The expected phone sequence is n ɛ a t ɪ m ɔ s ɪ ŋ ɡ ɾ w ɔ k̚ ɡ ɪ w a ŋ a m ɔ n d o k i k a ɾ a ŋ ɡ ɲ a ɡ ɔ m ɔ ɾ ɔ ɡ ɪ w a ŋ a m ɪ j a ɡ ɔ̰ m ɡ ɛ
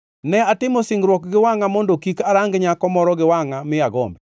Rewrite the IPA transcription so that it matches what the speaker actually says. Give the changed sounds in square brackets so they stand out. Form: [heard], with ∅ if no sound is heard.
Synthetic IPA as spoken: n ɛ a t ɪ m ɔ s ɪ ŋ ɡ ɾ w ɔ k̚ ɡ ɪ w a ŋ a m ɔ n d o k i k a ɾ a ŋ ɡ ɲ a [k] ɔ m ɔ ɾ ɔ ɡ ɪ w a ŋ a m ɪ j a ɡ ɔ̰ m [b] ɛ